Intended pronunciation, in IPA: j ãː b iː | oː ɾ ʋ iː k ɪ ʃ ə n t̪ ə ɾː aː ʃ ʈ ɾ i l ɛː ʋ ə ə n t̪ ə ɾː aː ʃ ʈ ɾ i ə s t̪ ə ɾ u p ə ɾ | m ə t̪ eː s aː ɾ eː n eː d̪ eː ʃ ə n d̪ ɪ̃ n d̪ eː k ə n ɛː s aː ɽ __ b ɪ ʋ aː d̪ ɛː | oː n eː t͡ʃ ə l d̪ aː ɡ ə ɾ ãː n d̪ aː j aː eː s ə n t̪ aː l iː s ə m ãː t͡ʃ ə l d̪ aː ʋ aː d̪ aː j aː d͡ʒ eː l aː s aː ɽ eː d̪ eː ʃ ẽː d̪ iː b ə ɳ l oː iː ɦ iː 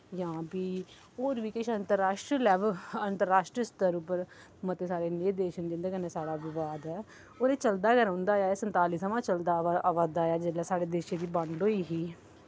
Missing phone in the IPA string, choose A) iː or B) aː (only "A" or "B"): B